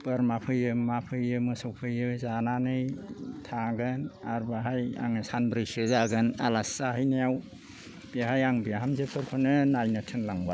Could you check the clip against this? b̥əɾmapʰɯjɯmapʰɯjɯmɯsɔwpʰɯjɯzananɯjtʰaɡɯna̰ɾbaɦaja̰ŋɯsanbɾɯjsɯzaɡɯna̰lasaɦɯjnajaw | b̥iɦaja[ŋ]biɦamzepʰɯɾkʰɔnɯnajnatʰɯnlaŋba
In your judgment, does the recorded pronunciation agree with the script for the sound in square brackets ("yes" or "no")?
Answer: yes